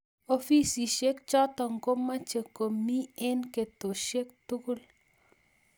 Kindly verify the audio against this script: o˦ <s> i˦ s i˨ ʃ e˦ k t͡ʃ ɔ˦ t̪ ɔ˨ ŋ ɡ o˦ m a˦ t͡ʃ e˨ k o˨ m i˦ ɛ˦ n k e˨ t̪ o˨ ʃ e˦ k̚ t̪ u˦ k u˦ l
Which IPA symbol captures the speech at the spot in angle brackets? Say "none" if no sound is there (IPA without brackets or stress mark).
f